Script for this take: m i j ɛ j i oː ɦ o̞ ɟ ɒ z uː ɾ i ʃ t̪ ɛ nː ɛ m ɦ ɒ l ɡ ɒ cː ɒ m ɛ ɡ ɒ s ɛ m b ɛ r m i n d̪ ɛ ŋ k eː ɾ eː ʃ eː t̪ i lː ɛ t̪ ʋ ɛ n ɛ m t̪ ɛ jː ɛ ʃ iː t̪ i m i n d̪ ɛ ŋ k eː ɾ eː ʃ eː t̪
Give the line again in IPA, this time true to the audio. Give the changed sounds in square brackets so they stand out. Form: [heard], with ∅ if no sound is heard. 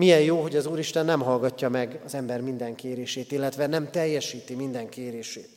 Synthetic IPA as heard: m i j ɛ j [j] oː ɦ o̞ ɟ ɒ z uː ɾ i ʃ t̪ ɛ nː ɛ m ɦ ɒ l ɡ ɒ cː ɒ m ɛ ɡ ɒ [z] ɛ m b ɛ r m i n d̪ ɛ ŋ k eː ɾ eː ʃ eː t̪ i lː ɛ t̪ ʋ ɛ n ɛ m t̪ ɛ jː ɛ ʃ iː t̪ i m i n d̪ ɛ ŋ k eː ɾ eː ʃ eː t̪